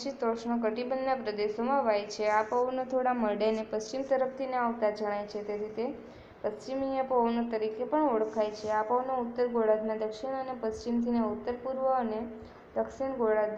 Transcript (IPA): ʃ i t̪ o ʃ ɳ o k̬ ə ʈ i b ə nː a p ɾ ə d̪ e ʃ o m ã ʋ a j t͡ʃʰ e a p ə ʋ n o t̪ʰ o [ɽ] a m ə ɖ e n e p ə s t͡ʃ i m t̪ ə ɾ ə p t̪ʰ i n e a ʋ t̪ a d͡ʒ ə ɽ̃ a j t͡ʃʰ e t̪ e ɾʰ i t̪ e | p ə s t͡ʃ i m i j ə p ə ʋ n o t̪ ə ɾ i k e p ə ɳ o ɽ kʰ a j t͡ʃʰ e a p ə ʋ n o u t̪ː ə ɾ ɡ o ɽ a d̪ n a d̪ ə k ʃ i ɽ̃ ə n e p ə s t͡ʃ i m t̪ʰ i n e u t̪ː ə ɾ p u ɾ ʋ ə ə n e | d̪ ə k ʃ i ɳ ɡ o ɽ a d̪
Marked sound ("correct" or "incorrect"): correct